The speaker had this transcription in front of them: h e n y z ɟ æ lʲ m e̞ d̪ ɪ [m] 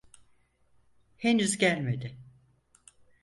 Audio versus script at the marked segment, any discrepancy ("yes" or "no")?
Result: yes